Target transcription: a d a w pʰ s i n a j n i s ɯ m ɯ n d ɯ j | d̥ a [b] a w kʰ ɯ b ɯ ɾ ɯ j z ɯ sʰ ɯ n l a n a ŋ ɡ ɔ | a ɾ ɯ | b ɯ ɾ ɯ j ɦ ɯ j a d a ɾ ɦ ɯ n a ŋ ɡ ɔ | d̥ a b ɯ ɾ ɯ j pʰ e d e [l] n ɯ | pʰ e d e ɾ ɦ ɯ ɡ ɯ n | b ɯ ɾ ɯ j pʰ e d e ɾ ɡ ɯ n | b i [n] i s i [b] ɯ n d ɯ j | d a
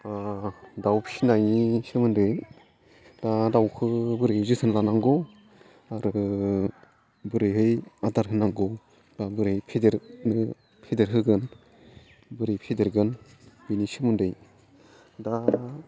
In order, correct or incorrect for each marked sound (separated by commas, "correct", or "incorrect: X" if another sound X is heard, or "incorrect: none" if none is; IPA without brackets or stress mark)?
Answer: incorrect: d, incorrect: ɾ, correct, incorrect: m